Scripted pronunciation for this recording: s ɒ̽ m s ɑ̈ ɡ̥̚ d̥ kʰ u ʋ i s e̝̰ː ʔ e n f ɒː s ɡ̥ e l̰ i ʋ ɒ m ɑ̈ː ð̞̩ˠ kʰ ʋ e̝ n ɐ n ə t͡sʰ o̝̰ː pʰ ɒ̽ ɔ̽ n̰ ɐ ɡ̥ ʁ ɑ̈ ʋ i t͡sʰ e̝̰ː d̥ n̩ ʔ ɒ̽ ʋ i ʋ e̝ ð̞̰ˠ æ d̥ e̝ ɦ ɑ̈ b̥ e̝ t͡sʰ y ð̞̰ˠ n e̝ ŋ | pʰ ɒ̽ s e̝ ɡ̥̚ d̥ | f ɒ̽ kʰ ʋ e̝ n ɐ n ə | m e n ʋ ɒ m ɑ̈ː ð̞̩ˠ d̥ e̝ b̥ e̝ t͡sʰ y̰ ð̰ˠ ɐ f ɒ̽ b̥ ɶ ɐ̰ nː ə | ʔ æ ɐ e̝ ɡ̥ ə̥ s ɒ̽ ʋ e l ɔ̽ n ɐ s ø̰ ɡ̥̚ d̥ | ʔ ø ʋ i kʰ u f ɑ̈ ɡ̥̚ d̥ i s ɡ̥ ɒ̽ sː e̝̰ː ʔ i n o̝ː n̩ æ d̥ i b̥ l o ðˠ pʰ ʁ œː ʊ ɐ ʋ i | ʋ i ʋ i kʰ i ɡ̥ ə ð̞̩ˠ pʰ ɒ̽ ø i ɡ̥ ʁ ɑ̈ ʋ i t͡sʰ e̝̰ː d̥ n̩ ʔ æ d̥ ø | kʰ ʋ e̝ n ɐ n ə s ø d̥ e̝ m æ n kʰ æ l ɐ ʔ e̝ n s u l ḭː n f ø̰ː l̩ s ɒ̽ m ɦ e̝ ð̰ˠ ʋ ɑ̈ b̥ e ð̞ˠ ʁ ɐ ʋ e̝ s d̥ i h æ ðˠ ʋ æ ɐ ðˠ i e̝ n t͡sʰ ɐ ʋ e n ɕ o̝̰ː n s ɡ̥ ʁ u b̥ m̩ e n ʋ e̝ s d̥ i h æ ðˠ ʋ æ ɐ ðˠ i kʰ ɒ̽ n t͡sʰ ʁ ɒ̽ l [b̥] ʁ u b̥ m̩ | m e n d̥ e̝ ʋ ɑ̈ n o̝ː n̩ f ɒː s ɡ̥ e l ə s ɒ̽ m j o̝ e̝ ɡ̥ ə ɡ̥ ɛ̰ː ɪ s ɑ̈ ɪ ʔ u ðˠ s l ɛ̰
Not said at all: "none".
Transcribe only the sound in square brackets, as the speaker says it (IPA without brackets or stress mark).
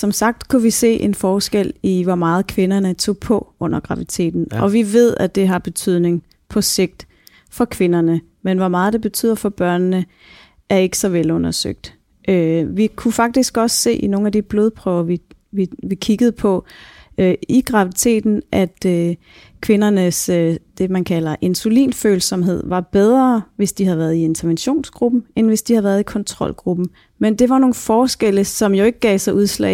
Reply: ɡ̥